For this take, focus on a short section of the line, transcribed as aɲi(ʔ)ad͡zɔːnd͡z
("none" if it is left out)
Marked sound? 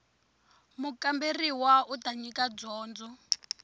k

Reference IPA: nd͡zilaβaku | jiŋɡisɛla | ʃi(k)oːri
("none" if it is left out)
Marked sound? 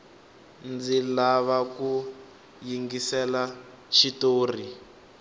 t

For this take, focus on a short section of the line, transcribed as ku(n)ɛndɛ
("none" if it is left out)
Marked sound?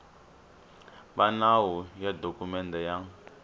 m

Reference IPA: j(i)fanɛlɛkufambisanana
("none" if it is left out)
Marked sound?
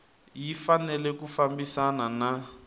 i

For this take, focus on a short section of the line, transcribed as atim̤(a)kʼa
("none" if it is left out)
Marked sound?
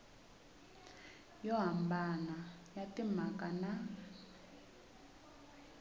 a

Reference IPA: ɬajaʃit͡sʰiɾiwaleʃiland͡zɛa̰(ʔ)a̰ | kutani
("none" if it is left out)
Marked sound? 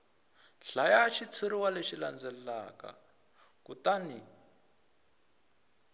k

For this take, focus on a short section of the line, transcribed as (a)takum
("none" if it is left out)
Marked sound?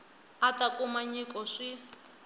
a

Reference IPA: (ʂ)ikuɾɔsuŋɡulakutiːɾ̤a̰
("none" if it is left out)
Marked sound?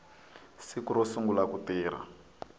s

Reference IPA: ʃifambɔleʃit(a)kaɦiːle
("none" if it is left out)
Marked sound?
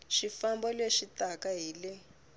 a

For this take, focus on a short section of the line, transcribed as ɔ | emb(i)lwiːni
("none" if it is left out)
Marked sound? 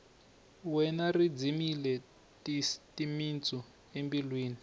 i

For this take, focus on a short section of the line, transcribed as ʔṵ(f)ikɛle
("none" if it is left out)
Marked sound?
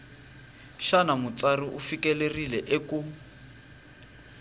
f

